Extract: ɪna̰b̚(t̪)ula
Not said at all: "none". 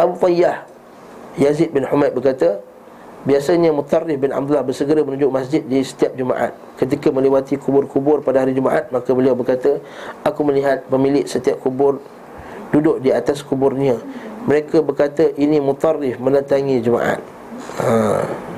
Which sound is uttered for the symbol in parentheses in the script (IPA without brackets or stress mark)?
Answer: d̪